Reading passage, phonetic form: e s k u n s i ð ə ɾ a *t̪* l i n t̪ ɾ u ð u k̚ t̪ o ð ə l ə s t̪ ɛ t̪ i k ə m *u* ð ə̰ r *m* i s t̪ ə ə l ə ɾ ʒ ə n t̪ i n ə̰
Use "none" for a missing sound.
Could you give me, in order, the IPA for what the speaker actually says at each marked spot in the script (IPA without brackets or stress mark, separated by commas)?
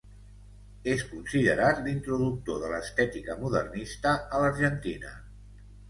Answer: t̪, u, n